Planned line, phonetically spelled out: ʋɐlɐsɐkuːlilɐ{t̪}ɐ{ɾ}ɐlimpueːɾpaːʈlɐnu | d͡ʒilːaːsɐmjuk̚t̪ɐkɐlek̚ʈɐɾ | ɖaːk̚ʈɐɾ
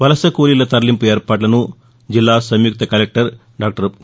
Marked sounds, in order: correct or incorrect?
correct, correct

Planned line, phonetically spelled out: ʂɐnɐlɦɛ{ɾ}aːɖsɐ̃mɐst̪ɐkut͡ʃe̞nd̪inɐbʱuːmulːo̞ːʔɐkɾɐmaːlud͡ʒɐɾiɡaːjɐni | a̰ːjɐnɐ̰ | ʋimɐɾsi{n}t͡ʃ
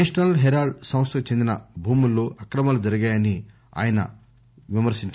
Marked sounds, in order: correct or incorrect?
correct, incorrect

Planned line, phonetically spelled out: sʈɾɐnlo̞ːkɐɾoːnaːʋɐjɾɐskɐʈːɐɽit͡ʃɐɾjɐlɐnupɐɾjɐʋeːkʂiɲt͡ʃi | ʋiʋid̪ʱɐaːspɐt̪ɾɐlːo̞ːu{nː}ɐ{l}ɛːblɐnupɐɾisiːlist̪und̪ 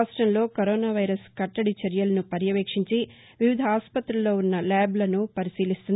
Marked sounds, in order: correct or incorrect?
correct, correct

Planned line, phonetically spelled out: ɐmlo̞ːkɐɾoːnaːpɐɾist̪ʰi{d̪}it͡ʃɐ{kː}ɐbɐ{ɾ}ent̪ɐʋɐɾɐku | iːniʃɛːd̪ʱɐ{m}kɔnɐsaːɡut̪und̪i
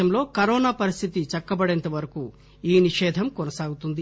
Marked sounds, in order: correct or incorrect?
incorrect, correct, incorrect, correct

